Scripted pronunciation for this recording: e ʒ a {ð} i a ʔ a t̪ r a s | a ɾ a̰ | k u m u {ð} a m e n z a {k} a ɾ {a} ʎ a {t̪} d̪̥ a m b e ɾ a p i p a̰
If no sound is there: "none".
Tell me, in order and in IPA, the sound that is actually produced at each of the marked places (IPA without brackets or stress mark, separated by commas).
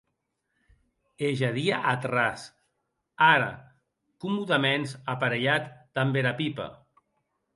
ð, ð, p, e, t̪